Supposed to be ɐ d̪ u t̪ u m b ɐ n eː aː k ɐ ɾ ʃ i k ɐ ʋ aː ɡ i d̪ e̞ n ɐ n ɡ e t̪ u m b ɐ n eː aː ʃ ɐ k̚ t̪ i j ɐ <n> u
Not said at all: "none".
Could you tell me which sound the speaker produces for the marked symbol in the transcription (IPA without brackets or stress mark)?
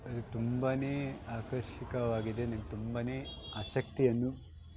nː